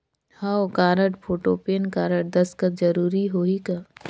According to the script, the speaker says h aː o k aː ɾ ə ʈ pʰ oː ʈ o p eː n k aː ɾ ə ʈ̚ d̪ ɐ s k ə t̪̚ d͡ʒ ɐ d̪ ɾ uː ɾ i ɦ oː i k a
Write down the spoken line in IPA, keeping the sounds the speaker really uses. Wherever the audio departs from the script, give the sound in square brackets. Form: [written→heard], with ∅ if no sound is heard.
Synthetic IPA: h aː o k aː ɾ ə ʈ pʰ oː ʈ o p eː n k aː ɾ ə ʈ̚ d̪ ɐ s k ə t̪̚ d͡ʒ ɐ [d̪→∅] ɾ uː ɾ i ɦ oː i k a